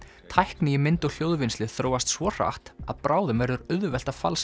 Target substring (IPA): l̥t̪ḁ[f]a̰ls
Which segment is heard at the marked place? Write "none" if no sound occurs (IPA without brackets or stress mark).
f